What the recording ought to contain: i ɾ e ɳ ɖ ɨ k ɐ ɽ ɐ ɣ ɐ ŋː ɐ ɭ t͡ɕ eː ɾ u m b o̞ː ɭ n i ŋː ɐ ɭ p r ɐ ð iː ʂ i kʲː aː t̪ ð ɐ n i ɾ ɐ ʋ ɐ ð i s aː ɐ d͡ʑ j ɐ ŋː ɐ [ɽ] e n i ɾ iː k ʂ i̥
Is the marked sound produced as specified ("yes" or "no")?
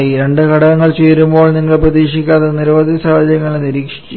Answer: no